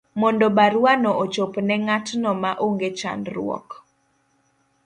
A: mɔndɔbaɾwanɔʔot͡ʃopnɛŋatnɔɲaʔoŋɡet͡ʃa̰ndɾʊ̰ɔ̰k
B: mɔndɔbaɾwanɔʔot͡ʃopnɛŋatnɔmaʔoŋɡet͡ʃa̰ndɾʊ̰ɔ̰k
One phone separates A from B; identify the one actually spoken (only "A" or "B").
B